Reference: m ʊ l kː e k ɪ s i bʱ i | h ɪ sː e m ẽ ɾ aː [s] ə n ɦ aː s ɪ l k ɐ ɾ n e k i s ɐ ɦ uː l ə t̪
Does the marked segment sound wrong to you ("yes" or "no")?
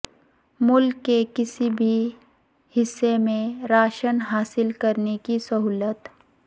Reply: yes